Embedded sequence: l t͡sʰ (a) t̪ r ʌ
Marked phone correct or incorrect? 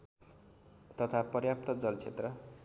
incorrect